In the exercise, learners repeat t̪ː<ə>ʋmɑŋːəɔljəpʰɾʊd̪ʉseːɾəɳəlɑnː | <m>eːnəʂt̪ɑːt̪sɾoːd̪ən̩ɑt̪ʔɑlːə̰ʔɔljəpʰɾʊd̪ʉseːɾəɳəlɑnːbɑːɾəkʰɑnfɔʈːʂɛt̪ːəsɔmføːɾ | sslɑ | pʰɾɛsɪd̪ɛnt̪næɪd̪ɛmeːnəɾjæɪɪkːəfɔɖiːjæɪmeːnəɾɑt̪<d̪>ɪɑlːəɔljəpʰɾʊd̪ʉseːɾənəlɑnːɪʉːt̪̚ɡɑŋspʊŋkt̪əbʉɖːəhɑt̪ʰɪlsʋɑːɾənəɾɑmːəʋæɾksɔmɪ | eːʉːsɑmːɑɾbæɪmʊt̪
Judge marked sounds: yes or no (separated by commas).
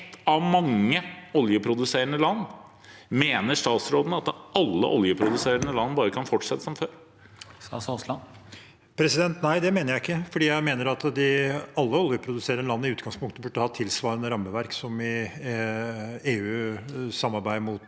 no, yes, yes